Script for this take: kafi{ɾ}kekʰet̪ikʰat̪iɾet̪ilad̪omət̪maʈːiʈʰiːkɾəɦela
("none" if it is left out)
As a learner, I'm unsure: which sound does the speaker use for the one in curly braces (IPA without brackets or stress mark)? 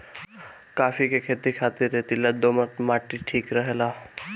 none